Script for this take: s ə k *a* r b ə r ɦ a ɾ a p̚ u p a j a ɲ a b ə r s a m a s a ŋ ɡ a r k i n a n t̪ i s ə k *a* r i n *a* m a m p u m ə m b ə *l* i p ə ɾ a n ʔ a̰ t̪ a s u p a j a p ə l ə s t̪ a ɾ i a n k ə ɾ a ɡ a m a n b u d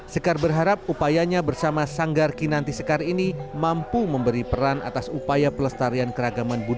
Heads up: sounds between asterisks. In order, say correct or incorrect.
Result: correct, correct, incorrect: i, incorrect: ɾ

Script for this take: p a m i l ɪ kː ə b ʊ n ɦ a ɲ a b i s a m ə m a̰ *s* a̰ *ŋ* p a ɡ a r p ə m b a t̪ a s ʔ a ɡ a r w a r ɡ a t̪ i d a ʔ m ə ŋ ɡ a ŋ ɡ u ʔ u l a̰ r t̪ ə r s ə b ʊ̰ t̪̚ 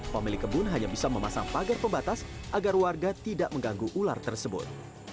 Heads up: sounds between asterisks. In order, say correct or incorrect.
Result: correct, correct

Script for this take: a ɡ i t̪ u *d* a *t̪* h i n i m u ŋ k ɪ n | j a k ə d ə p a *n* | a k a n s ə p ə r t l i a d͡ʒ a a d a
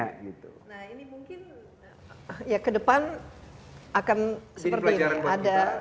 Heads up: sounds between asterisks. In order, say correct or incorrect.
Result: incorrect: n, incorrect: none, correct

